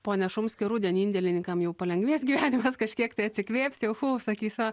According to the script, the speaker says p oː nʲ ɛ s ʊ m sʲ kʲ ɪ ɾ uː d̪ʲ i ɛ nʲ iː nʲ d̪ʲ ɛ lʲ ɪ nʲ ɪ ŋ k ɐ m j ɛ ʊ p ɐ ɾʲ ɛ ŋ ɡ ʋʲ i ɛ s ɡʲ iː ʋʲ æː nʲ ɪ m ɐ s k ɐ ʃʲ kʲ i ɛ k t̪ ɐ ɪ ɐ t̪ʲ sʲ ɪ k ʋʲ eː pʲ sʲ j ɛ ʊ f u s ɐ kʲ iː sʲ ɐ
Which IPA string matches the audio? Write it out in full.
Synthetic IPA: p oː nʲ ɛ ʃ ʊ m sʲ kʲ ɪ ɾ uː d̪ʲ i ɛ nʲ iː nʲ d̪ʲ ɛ lʲ ɪ nʲ ɪ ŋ k ɐ m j ɛ ʊ p ɐ lʲ ɛ ŋ ɡ ʋʲ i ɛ s ɡʲ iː ʋʲ æː nʲ ɪ m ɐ s k ɐ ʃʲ kʲ i ɛ k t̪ ɐ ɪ ɐ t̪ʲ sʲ ɪ k ʋʲ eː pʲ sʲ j ɛ ʊ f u s ɐ kʲ iː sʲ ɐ